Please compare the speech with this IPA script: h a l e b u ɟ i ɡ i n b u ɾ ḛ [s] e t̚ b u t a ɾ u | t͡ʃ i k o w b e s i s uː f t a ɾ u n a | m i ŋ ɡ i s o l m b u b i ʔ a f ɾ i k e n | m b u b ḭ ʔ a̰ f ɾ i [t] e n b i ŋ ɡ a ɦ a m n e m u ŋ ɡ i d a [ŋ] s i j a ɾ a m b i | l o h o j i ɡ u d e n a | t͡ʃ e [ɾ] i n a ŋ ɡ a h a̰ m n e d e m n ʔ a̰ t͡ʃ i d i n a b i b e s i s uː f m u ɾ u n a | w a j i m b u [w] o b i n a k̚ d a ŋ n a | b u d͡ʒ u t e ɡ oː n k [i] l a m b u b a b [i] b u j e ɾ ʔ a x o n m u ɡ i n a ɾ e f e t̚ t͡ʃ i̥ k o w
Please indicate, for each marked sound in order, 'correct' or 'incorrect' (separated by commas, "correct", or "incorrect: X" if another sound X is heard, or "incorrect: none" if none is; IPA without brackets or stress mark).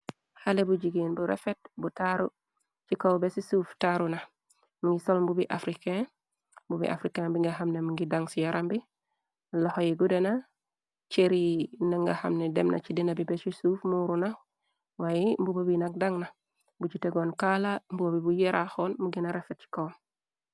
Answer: incorrect: f, incorrect: k, correct, correct, incorrect: b, incorrect: a, correct